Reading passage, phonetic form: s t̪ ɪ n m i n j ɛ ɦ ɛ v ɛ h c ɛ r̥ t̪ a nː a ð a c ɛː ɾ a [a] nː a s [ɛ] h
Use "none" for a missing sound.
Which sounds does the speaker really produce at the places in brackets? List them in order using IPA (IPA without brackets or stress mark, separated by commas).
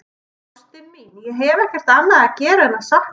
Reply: ɛ, a